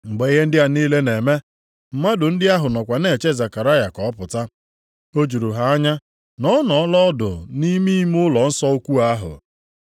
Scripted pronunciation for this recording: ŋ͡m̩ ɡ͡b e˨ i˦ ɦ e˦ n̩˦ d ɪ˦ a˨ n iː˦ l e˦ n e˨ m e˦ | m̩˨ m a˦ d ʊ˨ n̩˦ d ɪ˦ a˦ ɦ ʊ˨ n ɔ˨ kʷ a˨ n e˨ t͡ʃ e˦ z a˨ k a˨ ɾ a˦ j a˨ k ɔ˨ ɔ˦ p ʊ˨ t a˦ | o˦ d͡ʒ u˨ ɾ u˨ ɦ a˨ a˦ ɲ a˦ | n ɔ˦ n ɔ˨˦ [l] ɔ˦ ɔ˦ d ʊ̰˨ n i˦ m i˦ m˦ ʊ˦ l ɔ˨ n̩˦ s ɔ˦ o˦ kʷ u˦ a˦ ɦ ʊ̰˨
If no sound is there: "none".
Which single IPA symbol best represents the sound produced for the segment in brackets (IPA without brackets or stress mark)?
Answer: l